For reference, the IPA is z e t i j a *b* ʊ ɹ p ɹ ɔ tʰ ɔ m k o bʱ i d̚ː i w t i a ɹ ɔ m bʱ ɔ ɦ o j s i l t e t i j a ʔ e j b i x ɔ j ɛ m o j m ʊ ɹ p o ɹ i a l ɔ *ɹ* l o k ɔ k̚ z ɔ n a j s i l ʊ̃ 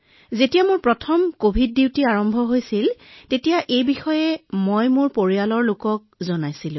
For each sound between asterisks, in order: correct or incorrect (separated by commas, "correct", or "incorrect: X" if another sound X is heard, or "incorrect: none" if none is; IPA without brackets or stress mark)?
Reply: incorrect: m, correct